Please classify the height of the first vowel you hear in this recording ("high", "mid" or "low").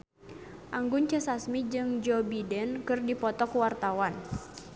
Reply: low